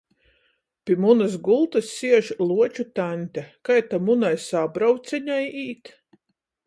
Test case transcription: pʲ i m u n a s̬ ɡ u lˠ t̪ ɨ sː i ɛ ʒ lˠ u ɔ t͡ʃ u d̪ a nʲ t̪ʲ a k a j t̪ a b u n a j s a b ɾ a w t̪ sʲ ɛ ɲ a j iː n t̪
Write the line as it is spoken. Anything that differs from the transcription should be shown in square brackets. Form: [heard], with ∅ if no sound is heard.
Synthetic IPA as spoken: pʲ i m u n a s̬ ɡ u lˠ t̪ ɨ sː i ɛ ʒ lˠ u ɔ t͡ʃ u [t̪] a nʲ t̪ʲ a k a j t̪ a [m] u n a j s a b ɾ a w t̪ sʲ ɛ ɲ a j iː [∅] t̪